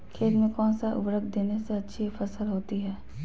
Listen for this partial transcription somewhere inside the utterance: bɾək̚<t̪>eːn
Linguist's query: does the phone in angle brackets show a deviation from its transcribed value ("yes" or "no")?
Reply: yes